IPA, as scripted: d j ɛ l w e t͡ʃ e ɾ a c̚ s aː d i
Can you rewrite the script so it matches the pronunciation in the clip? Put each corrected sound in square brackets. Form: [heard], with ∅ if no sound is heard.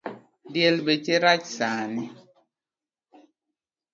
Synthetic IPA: d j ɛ l [b] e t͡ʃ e ɾ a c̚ s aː [n] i